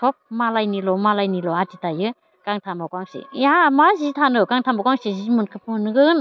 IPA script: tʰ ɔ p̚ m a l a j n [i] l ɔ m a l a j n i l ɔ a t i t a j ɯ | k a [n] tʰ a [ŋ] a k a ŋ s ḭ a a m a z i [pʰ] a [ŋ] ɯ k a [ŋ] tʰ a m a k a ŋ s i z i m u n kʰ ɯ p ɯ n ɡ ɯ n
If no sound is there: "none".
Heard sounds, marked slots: i, ŋ, m, tʰ, n, ŋ

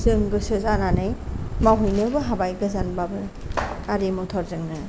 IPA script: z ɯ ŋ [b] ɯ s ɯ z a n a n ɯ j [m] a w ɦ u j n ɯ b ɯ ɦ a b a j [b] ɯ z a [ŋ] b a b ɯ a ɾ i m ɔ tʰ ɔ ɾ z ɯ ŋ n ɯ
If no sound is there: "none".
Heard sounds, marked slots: ɡ, m, ɡ, n

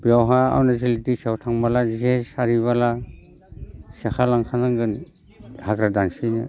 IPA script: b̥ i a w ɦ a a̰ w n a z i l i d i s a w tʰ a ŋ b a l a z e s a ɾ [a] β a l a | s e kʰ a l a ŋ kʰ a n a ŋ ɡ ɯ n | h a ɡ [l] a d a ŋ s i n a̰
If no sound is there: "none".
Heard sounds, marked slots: i, ɾ

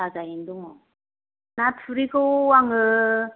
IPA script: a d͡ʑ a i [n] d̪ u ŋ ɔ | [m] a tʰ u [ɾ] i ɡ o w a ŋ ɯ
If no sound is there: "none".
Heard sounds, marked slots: n, n, ɾ

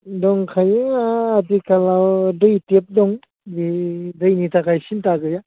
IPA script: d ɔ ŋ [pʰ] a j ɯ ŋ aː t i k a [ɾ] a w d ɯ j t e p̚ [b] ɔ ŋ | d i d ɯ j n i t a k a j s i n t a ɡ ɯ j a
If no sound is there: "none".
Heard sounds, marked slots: kʰ, l, d

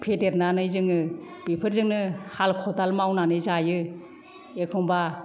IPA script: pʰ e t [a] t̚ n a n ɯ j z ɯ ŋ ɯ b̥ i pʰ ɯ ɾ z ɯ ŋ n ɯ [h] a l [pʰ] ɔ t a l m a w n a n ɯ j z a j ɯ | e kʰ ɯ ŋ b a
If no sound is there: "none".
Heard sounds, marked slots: e, h, kʰ

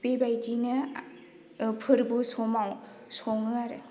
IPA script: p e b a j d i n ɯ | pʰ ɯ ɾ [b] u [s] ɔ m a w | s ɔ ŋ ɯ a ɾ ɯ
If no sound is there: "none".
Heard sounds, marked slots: b, s

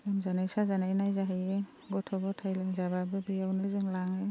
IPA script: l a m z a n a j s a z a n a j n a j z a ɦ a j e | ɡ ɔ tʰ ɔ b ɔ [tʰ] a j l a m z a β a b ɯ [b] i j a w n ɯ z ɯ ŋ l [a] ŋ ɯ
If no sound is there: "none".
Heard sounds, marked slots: tʰ, b, a

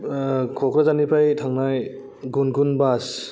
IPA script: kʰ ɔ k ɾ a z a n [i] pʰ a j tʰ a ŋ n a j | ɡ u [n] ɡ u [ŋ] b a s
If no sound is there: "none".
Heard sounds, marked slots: i, n, n

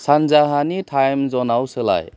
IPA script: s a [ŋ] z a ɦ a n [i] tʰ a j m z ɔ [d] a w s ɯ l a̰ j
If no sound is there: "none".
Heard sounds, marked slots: n, i, n

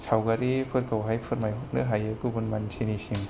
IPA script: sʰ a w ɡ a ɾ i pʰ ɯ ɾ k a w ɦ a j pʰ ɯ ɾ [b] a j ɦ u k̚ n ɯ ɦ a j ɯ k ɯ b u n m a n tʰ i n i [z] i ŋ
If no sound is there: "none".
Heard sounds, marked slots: m, s

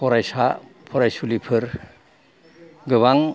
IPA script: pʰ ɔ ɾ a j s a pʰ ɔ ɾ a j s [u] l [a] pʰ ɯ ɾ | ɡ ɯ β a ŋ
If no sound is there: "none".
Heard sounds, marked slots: u, i

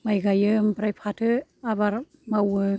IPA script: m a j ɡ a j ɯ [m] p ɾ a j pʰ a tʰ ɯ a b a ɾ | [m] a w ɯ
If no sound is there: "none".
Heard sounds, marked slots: m, m

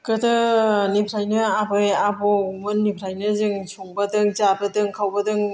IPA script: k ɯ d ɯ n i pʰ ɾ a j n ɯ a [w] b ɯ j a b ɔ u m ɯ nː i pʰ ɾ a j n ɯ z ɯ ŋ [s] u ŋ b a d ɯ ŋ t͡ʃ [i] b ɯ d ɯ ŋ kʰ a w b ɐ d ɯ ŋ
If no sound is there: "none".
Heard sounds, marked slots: none, s, a

